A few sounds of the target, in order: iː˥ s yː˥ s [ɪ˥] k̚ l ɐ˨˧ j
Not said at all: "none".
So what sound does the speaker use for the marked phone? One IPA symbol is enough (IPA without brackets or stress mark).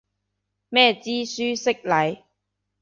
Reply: ɪ˥